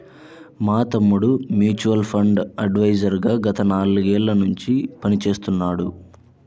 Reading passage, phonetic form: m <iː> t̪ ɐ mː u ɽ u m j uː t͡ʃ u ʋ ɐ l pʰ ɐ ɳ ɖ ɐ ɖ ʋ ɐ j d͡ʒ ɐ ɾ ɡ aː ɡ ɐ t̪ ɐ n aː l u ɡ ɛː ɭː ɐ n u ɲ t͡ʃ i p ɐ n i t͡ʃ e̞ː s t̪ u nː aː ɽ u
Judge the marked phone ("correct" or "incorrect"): incorrect